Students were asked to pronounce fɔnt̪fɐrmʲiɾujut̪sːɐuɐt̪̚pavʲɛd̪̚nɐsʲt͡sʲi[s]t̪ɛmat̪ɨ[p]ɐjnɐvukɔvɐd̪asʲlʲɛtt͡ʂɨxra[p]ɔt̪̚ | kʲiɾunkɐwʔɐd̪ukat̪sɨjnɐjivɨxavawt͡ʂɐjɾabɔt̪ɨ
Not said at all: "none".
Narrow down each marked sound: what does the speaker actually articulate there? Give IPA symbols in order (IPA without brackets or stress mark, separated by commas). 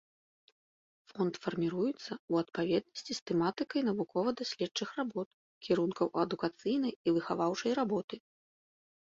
s, k, b